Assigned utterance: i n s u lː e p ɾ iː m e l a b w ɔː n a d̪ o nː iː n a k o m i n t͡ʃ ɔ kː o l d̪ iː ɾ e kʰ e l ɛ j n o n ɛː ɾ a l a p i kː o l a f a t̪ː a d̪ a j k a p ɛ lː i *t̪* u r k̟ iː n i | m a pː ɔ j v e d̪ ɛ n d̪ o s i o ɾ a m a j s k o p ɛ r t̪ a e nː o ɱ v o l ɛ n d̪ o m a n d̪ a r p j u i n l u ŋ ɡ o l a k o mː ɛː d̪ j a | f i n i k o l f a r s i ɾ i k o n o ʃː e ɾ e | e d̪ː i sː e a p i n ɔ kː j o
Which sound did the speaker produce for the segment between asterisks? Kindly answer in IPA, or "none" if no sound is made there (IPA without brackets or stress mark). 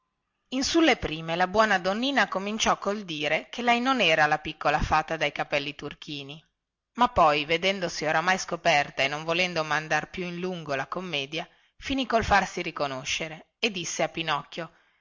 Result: t̪